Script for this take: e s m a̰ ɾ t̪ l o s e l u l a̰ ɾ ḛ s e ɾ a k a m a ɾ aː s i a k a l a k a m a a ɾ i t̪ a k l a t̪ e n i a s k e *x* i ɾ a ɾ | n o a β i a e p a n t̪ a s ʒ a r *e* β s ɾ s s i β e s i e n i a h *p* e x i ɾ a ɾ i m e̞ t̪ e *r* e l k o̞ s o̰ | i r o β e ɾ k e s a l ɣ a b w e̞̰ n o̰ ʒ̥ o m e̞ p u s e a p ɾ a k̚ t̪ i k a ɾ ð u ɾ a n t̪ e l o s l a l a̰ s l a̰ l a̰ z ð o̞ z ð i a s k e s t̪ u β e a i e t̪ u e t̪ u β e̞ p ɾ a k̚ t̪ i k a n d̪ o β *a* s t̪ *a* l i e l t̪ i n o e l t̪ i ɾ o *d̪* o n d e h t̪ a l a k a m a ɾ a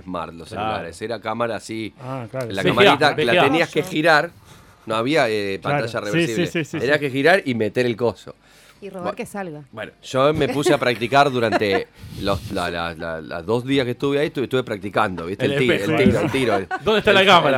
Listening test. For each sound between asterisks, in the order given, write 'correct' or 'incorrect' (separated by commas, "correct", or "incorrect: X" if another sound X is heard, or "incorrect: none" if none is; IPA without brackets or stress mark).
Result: correct, correct, incorrect: k, incorrect: ɾ, incorrect: i, incorrect: e, correct